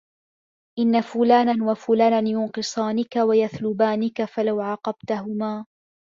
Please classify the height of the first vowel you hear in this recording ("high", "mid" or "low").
high